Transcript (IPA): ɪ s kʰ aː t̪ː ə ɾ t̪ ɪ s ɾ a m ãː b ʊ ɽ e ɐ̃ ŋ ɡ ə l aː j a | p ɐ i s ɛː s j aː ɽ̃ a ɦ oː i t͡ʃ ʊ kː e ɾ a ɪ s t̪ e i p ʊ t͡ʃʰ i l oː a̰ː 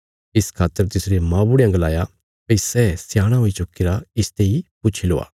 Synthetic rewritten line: ɪ s kʰ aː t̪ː ə ɾ t̪ ɪ s ɾ e m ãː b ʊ ɽ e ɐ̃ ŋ ɡ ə l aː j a | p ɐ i s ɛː s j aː ɽ̃ a ɦ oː i t͡ʃ ʊ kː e ɾ a ɪ s t̪ e i p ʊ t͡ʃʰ i l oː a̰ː